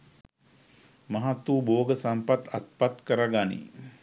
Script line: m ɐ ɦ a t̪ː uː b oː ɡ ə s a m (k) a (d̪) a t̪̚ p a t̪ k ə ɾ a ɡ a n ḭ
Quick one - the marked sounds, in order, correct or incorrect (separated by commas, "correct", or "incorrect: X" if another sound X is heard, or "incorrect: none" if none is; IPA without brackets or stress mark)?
incorrect: p, incorrect: t̪